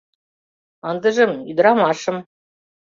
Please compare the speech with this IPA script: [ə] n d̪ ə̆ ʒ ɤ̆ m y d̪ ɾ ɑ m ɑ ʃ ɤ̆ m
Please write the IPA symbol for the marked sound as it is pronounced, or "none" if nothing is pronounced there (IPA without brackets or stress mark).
ɑ